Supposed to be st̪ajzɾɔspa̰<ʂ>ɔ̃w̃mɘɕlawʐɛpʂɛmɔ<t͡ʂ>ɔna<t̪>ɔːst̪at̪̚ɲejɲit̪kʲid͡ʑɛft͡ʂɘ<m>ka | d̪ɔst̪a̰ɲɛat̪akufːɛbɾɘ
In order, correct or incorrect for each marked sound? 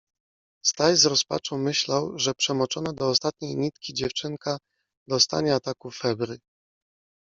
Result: incorrect, correct, incorrect, incorrect

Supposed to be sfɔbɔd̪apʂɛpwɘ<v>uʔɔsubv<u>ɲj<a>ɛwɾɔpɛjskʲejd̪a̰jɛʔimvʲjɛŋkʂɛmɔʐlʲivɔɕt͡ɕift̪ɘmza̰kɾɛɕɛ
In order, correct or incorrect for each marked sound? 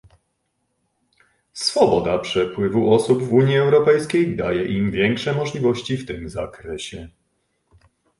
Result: correct, correct, incorrect

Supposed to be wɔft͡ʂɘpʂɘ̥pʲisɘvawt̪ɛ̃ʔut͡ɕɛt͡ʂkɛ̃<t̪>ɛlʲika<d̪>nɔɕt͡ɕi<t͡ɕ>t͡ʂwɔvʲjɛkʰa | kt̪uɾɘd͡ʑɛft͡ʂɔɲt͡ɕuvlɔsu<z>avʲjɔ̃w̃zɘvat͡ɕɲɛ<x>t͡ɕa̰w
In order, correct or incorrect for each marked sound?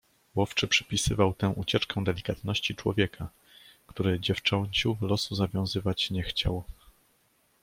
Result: incorrect, incorrect, incorrect, correct, correct

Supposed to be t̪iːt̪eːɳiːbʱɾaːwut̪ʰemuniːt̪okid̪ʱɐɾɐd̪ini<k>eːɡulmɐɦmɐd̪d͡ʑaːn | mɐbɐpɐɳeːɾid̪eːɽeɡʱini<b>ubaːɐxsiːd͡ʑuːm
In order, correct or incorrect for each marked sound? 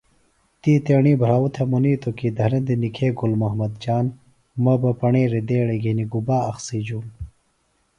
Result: incorrect, incorrect

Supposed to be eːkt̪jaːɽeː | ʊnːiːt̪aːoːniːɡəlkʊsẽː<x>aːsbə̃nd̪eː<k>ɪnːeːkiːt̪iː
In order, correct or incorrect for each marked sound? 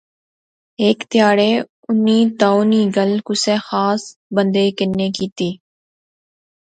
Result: correct, correct

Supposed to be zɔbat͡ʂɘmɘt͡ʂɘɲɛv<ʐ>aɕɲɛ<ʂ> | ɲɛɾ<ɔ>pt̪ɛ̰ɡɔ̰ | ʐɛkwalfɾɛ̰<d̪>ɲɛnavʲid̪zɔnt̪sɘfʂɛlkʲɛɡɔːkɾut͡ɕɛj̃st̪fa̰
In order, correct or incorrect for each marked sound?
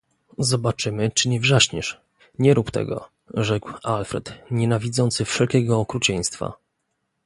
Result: correct, correct, incorrect, incorrect

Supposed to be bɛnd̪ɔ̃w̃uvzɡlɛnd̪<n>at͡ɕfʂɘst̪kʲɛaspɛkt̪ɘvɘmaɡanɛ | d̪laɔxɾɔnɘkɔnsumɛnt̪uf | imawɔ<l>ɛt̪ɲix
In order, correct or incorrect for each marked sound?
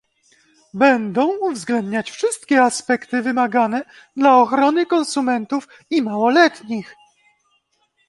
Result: incorrect, correct

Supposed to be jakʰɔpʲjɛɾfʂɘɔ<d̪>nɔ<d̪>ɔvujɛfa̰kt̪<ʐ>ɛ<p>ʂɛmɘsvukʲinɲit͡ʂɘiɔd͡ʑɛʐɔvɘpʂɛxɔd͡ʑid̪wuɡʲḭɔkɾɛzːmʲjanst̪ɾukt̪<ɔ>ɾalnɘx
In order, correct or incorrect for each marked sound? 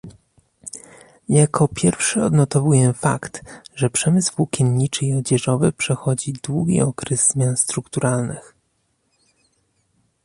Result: correct, incorrect, correct, correct, incorrect

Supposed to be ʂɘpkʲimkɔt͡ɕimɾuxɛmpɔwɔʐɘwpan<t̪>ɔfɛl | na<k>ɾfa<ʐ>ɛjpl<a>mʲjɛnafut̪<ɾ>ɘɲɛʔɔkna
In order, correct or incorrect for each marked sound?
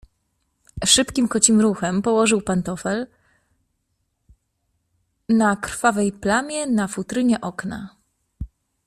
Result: correct, correct, incorrect, correct, correct

